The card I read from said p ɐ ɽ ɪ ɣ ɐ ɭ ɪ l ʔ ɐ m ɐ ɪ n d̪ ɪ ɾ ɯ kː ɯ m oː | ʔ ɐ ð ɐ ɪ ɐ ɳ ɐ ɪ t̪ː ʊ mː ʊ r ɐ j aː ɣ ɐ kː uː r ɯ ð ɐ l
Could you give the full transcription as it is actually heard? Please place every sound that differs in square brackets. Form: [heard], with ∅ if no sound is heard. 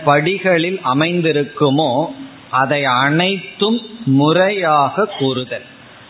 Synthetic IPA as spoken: p ɐ ɽ ɪ ɣ ɐ ɭ ɪ l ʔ ɐ m ɐ ɪ n d̪ ɪ ɾ ɯ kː ɯ m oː | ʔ ɐ ð ɐ ɪ ɐ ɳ ɐ ɪ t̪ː [ɯ] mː ʊ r ɐ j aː ɣ ɐ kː uː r ɯ ð ɐ l